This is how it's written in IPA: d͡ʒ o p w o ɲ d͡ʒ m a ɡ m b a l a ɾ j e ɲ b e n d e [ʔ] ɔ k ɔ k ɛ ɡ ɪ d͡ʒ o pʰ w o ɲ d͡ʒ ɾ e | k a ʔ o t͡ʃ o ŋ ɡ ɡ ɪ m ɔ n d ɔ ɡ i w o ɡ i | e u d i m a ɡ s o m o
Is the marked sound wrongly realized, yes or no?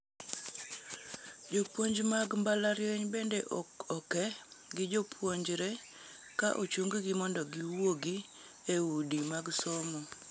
no